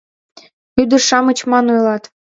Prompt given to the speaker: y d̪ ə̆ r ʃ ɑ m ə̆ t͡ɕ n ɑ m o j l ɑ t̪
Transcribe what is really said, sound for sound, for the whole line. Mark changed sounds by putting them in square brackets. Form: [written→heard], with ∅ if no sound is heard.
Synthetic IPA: y d̪ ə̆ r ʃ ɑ m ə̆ t͡ɕ [n→m] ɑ [m→n] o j l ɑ t̪